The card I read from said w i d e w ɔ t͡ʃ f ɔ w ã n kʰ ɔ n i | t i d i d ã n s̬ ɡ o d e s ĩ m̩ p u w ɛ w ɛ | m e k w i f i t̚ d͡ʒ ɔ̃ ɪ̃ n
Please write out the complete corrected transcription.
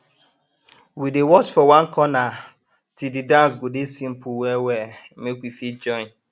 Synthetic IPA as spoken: w i d e w ɔ t͡ʃ f ɔ w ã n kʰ ɔ n a | t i d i d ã n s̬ ɡ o d e s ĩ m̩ p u w ɛ w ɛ | m e k w i f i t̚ d͡ʒ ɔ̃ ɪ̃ n